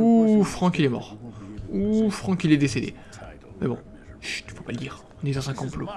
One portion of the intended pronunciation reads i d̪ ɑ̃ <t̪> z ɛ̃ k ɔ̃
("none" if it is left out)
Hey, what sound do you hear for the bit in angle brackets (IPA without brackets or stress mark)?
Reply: none